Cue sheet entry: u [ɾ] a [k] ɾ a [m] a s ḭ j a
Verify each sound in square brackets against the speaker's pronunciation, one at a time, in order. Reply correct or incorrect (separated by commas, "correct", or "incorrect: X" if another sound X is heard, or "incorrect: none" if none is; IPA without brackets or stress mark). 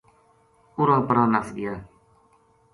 correct, incorrect: p, incorrect: n